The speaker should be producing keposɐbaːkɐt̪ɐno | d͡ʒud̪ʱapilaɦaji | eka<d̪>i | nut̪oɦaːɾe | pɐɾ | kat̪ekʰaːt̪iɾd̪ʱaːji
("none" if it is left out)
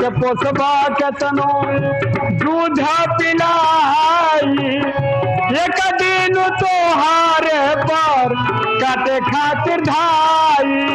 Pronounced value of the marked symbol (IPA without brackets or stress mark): d̪